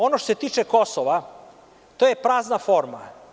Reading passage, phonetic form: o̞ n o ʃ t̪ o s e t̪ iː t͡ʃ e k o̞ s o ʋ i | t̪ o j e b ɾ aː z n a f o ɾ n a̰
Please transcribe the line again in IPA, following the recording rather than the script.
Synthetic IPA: o̞ n o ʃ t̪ o s e t̪ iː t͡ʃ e k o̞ s o ʋ a | t̪ o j e p ɾ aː z n a f o ɾ m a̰